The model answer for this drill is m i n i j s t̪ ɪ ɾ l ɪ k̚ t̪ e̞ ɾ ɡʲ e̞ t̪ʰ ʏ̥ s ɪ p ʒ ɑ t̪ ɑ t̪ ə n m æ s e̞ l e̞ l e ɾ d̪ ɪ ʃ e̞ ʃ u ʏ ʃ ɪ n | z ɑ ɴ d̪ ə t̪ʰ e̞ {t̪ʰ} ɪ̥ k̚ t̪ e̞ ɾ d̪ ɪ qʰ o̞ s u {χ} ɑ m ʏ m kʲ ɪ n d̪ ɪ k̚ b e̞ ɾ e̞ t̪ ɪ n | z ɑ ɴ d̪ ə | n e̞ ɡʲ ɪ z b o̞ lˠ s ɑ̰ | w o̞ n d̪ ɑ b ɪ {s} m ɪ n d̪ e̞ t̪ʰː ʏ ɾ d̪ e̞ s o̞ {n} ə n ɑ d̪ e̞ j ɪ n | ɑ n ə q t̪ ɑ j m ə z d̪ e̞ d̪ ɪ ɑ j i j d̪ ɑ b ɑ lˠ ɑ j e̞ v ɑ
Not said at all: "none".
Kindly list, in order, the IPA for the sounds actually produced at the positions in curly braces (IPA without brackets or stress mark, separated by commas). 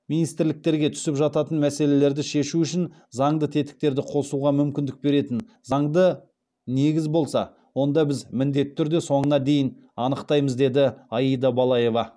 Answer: t̪, ʁ, z, ɴ